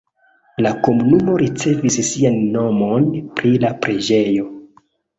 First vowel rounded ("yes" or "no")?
no